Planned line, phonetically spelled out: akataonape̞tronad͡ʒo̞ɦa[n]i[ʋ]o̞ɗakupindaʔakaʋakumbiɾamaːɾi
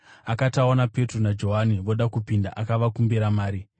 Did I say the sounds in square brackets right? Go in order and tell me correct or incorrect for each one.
correct, correct

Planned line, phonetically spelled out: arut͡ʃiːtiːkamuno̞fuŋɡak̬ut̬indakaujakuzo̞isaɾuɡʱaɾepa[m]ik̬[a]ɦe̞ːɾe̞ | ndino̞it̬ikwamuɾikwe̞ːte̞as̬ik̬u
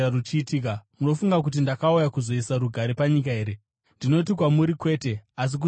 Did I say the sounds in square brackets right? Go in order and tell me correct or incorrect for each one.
incorrect, correct

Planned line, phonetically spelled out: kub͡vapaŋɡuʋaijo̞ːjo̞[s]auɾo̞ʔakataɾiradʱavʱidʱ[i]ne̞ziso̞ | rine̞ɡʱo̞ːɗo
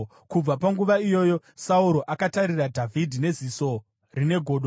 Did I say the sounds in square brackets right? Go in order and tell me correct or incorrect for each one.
correct, correct

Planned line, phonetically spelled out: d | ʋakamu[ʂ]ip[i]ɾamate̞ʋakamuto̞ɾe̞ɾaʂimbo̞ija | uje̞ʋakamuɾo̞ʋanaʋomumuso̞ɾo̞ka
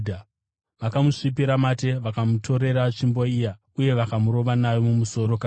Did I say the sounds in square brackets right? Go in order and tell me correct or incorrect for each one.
correct, correct

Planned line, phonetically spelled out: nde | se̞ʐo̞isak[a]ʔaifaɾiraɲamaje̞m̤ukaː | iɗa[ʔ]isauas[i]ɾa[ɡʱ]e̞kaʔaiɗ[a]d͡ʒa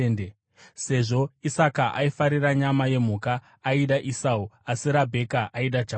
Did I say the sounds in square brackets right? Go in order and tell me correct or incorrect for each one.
correct, correct, correct, incorrect, correct

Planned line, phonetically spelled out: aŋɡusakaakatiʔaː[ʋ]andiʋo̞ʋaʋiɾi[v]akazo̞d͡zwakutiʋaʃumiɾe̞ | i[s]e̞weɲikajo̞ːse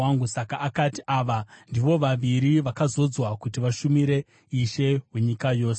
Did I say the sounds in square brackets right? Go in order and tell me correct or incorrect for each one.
correct, incorrect, incorrect

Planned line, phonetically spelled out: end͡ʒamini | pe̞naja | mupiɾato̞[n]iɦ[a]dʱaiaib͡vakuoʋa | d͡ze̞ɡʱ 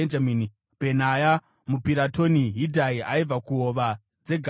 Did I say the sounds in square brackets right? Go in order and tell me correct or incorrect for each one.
correct, incorrect

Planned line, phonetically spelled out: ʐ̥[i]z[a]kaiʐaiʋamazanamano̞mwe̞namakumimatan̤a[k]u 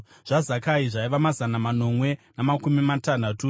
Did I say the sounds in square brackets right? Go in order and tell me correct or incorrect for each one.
incorrect, correct, incorrect

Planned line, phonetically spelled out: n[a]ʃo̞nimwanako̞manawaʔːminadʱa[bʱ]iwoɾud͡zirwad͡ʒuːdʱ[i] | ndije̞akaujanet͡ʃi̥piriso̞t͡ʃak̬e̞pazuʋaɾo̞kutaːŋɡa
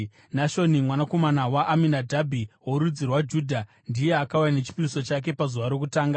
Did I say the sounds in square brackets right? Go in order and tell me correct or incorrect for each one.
correct, correct, incorrect

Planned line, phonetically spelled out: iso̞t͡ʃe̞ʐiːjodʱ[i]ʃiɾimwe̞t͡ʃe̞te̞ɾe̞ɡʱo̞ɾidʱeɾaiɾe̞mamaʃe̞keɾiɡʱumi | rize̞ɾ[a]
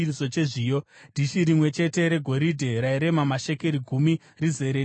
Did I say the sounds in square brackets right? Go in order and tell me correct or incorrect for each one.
correct, incorrect

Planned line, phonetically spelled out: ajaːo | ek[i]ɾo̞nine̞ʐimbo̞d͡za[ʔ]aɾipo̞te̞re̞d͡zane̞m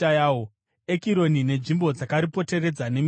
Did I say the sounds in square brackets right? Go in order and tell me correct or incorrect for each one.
correct, incorrect

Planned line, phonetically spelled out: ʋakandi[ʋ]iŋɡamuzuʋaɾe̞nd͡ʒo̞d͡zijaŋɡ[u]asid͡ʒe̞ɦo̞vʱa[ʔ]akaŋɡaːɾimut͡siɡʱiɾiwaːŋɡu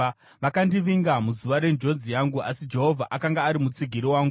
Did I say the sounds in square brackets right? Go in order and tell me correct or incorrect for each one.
correct, correct, correct

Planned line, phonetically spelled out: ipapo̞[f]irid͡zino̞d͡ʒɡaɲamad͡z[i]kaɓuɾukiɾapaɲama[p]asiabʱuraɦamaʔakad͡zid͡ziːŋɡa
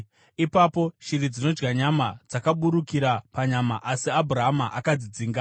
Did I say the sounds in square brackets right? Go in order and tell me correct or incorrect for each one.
incorrect, incorrect, incorrect

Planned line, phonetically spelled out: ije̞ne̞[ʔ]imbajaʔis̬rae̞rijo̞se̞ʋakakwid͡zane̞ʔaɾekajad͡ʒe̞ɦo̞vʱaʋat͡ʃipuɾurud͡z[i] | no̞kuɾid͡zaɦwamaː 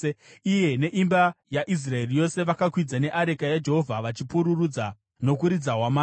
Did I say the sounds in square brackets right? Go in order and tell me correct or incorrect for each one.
correct, incorrect

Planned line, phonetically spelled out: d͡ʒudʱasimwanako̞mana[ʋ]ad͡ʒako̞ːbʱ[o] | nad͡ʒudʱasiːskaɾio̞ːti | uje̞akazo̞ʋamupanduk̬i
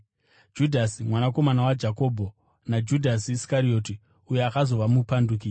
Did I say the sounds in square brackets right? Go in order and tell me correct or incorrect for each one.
incorrect, correct

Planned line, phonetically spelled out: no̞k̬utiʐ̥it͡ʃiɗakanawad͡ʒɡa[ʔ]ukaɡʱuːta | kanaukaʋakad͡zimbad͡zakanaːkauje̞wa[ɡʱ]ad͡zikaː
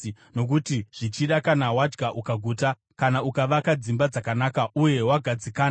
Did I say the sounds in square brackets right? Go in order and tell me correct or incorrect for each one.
correct, correct

